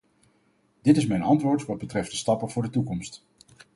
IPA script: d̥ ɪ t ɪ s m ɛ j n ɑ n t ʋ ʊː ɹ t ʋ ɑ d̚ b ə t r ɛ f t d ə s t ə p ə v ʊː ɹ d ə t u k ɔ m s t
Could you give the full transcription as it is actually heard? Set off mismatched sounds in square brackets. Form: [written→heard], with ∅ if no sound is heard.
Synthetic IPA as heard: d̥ ɪ t ɪ s m ɛ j n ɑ n t ʋ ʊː ɹ t ʋ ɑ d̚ b ə t r ɛ f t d ə s t [ə→ɑ] p ə v ʊː ɹ d ə t u k ɔ m s t